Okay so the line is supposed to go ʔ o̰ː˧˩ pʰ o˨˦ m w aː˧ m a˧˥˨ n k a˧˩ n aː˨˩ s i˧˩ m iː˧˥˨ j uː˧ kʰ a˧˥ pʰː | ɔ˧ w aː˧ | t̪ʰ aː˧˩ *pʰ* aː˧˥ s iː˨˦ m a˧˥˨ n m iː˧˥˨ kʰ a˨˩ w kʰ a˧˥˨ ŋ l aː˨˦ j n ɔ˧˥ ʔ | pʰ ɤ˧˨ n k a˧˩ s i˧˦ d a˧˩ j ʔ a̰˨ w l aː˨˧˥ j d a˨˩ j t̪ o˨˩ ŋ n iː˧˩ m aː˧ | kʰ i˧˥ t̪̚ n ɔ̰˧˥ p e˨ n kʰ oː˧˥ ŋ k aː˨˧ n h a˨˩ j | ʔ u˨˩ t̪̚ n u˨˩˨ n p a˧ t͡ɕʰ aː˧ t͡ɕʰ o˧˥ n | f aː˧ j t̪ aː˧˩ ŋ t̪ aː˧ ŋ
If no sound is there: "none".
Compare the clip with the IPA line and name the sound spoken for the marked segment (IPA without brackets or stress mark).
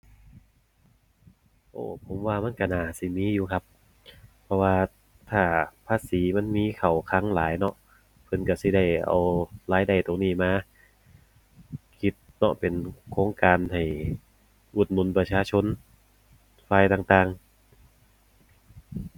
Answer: pʰ